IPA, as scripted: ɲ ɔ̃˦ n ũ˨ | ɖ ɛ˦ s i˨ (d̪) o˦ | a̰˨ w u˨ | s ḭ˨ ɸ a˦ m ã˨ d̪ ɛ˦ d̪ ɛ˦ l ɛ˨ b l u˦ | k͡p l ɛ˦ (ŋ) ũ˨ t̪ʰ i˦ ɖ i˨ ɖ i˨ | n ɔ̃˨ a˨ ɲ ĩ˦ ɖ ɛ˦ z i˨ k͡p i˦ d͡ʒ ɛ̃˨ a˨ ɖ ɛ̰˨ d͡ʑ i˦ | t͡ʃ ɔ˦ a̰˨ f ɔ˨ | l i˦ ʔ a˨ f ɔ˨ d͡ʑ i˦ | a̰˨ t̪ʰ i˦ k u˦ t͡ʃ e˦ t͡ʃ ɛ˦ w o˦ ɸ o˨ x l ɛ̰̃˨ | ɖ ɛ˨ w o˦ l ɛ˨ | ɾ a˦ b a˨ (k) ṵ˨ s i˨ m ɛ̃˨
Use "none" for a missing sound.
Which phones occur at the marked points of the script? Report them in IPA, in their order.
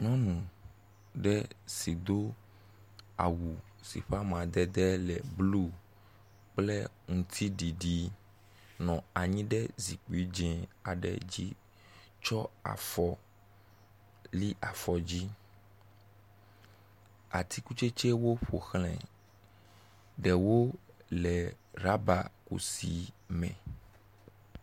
d̪, ŋ, k

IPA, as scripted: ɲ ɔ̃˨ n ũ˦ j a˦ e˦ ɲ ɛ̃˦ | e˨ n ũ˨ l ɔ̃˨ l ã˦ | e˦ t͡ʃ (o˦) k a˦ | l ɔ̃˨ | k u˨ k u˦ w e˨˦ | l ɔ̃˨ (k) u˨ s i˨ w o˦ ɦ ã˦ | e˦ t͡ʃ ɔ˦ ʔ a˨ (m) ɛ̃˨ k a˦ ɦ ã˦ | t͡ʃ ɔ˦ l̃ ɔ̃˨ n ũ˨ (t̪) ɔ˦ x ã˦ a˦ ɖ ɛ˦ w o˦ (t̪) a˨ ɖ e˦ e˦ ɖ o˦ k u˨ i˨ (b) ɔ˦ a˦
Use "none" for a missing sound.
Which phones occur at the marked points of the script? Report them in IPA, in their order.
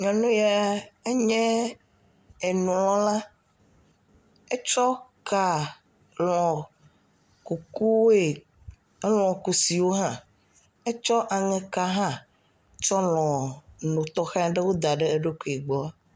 ɔ˦, k, ŋ, t̪, d̪, ɡ͡b

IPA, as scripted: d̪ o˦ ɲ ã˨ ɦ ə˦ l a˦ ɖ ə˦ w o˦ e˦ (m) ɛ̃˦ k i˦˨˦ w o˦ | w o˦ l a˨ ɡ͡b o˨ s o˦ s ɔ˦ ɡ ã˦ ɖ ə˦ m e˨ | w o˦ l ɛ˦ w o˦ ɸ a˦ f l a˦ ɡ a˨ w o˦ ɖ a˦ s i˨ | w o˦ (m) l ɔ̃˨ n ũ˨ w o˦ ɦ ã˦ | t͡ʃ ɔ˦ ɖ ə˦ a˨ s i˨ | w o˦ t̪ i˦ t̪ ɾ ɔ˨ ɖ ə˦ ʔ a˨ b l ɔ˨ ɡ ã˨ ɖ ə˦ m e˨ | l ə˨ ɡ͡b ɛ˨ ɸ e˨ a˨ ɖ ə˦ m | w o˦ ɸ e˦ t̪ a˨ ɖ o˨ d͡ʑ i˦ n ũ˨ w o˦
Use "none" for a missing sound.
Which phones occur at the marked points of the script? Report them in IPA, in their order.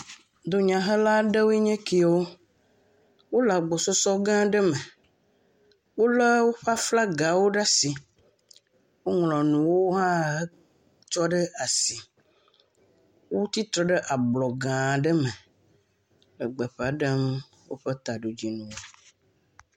ɲ, ŋ

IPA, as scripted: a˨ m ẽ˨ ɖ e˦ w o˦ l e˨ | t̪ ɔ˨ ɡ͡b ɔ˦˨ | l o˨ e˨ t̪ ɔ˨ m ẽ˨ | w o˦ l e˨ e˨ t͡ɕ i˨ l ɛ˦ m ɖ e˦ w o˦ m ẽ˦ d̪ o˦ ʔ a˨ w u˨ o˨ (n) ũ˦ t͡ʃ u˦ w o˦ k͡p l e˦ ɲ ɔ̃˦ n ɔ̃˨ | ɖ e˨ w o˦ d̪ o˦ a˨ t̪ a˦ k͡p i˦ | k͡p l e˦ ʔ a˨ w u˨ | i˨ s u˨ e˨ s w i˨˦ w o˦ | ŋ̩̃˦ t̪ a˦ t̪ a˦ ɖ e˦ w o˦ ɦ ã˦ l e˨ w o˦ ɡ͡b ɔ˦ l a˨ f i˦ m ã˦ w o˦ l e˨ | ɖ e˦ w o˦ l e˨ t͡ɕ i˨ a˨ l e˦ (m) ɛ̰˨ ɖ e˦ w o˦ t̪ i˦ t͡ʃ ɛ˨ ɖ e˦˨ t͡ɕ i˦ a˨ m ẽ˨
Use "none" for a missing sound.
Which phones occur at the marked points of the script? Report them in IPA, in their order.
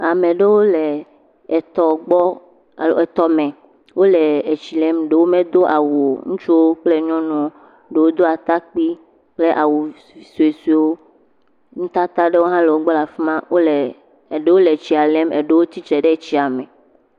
ŋ, m

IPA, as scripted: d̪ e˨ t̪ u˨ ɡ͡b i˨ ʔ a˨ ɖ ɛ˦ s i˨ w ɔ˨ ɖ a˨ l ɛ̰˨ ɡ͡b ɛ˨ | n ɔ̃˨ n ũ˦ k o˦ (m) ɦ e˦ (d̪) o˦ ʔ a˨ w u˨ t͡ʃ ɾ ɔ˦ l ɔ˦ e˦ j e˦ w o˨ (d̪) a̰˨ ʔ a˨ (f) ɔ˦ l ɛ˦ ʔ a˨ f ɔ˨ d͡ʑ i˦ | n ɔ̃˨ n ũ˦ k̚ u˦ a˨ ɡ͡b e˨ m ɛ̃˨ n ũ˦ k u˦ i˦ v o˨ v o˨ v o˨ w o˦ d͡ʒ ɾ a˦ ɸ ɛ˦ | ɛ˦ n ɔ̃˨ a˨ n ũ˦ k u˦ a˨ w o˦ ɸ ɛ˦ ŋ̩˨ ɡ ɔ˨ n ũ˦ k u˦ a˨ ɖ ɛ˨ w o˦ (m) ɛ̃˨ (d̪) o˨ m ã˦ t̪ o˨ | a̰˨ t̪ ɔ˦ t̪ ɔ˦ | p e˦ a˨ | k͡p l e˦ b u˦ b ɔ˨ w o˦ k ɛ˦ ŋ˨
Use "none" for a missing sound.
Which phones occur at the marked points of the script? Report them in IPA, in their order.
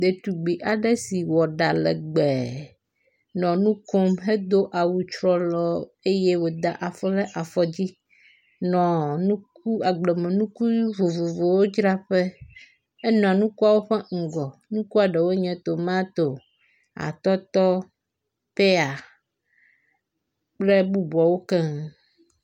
m, d̪, d̪, f, ɲ, t̪

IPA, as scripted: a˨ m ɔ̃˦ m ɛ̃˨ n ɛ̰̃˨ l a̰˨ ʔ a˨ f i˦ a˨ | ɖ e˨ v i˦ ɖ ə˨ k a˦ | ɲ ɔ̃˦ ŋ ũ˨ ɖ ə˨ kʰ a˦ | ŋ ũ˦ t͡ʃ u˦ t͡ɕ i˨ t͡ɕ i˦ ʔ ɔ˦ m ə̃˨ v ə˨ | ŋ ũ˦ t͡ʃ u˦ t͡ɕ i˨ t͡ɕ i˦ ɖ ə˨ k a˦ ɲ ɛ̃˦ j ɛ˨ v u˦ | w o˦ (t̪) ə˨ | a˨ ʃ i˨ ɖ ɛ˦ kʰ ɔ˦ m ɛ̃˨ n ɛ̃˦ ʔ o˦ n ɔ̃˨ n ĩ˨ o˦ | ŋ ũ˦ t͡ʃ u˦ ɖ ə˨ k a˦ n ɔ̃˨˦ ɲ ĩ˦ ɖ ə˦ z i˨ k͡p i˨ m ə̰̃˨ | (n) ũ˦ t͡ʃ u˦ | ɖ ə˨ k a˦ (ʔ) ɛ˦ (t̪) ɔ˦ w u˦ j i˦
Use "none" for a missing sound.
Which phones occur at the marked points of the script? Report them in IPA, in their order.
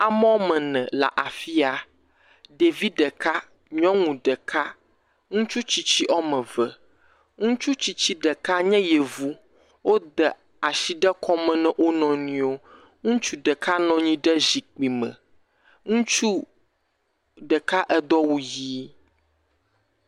d̪, ŋ, ʔ, d̪

